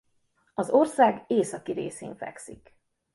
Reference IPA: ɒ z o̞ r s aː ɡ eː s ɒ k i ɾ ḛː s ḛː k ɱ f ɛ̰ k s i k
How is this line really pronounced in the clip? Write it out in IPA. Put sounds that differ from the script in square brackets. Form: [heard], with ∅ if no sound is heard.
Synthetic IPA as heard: ɒ z o̞ r s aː ɡ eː s ɒ k i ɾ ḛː s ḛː [∅] ɱ f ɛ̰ k s i k

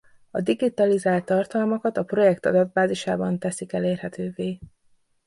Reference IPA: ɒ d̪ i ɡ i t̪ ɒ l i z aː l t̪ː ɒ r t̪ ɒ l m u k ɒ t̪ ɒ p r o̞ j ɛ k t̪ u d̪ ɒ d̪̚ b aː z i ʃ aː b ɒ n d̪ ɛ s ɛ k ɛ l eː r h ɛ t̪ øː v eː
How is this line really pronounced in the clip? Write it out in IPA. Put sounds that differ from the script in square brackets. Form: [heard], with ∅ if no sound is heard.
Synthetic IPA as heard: ɒ d̪ i ɡ i t̪ ɒ l i z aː l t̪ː ɒ r t̪ ɒ l m [ɒ] k ɒ t̪ ɒ p r o̞ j ɛ k t̪ [ɒ] d̪ ɒ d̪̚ b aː z i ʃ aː b ɒ n [t̪] ɛ s [i] k ɛ l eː r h ɛ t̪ øː v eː

